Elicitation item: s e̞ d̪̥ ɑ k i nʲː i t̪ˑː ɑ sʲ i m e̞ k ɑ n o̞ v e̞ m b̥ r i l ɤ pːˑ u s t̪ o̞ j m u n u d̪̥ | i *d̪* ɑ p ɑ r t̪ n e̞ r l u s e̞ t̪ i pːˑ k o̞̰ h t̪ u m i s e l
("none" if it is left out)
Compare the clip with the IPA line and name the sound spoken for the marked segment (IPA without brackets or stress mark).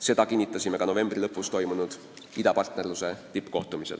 d̪